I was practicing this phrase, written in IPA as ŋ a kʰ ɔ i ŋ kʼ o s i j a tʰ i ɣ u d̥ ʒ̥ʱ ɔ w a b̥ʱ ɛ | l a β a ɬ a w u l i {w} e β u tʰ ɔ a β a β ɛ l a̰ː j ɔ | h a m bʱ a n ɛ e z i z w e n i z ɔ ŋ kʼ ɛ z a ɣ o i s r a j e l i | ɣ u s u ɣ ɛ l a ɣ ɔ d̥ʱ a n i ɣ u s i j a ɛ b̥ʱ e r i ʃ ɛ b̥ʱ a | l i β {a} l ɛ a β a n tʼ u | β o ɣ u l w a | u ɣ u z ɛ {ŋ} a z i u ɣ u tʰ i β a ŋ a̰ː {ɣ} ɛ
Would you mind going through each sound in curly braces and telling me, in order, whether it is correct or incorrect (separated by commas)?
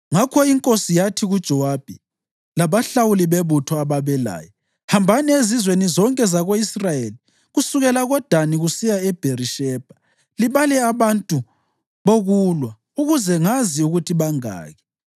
incorrect, correct, correct, correct